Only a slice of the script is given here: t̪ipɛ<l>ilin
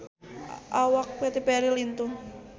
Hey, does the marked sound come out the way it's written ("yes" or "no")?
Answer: no